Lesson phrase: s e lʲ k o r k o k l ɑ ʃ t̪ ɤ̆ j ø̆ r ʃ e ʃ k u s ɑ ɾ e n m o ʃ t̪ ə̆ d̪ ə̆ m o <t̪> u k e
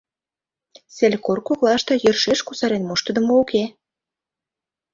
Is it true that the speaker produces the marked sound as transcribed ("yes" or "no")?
no